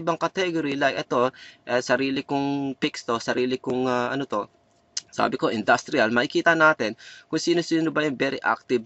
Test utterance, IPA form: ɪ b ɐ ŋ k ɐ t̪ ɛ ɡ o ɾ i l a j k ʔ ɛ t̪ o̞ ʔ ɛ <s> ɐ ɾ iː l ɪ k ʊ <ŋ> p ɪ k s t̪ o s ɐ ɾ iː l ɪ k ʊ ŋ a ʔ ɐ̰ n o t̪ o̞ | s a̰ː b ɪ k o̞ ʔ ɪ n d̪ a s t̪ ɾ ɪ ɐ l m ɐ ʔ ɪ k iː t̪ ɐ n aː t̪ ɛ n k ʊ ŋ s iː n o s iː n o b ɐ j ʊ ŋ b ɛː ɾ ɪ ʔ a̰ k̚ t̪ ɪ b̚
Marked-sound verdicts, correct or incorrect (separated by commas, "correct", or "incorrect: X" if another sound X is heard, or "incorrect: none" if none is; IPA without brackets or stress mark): correct, correct